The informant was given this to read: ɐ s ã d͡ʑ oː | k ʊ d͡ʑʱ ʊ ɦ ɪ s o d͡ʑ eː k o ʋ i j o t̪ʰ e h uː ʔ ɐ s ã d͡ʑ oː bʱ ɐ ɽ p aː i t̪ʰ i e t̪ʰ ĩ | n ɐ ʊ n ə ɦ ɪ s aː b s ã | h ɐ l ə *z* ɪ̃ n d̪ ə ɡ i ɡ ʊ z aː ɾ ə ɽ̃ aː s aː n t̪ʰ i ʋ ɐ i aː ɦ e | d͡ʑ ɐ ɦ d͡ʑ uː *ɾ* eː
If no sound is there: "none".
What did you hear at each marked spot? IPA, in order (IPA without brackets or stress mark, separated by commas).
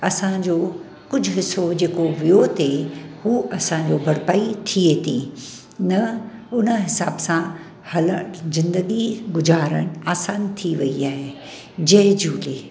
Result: z, l